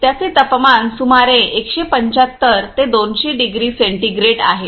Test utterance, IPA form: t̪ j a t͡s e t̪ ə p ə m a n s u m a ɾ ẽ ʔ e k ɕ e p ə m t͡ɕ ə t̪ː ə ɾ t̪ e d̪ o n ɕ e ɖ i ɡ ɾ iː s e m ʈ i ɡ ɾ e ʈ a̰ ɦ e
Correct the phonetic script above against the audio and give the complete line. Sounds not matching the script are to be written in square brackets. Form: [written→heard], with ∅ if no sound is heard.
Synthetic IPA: t̪ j a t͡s e t̪ ə p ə m a n s u m a ɾ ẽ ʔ e k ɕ e p ə [m→ɲ] t͡ɕ [ə→a] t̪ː ə ɾ t̪ e d̪ o n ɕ e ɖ i ɡ ɾ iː s e [m→ɳ] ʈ i ɡ ɾ e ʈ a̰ ɦ e